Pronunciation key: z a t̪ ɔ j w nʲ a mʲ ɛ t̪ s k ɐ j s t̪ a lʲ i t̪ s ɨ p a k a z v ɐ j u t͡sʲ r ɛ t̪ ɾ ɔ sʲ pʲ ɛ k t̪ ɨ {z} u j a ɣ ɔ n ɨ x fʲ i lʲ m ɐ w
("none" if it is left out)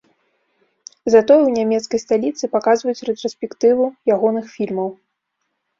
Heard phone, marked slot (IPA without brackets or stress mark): v